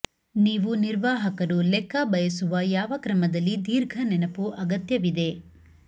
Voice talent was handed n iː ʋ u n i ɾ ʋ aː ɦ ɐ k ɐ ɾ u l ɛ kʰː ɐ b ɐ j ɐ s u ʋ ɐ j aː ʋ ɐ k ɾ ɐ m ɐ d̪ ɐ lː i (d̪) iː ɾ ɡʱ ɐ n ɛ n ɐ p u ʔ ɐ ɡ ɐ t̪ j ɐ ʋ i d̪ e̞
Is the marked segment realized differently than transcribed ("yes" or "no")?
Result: no